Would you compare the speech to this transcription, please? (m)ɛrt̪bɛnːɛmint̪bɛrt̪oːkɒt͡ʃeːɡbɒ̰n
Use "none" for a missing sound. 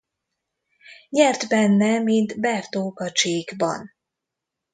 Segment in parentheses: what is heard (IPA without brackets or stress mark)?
ɲ